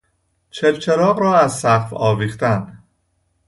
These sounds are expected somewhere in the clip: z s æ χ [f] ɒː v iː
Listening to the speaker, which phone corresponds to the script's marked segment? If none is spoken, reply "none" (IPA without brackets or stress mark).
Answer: f